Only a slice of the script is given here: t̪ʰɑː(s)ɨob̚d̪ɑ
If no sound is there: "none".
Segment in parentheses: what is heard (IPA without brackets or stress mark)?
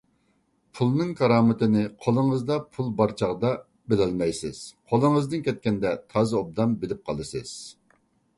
z